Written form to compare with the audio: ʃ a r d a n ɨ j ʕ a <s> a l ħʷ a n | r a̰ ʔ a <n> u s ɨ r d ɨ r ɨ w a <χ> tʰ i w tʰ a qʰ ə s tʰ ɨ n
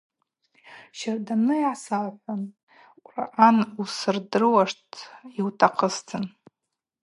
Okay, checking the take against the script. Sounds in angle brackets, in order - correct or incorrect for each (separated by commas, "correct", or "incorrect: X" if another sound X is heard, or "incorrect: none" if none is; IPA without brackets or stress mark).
correct, correct, incorrect: ʂ